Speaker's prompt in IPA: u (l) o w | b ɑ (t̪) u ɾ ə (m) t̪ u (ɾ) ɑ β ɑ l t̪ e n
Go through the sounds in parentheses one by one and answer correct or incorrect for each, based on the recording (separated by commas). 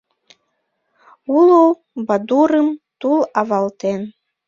correct, incorrect, correct, incorrect